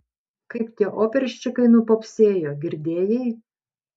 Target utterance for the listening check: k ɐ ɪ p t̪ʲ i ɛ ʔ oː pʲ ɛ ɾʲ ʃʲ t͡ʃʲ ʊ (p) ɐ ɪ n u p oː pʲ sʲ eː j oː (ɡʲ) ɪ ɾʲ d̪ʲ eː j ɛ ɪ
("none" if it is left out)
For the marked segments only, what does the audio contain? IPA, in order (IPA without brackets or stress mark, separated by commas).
k, ɡʲ